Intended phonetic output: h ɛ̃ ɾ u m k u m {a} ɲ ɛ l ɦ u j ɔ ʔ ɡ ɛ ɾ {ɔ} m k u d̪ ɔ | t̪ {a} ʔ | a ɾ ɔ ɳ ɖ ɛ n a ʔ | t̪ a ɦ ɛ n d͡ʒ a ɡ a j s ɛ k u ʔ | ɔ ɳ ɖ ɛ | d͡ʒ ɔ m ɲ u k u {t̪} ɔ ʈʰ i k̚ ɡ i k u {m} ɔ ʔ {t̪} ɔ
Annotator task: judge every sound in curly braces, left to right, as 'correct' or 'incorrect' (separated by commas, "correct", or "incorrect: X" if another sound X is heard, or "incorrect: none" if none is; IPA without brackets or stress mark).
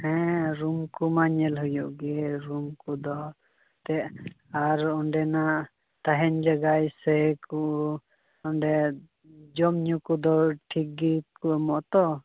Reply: correct, incorrect: u, incorrect: ɛ, incorrect: d̪, correct, correct